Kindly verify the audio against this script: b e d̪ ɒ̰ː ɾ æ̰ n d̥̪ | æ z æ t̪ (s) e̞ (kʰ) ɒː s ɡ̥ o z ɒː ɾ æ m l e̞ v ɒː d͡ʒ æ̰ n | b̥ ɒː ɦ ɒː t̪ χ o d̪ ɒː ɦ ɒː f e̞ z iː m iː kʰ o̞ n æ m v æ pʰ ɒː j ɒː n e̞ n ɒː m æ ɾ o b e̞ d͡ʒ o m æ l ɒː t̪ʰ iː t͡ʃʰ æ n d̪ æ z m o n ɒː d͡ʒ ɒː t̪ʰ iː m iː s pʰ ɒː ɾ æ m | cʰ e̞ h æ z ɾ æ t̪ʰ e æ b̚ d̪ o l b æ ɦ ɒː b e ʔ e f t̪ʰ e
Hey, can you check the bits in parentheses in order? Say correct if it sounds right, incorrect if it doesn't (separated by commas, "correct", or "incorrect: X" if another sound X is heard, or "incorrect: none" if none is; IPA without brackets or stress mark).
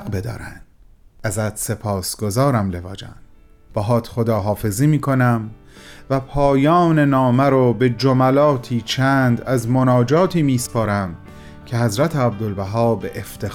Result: correct, incorrect: pʰ